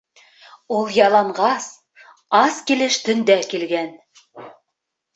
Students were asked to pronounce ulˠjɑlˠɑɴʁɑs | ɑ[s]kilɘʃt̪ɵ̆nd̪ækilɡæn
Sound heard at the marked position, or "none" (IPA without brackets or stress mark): s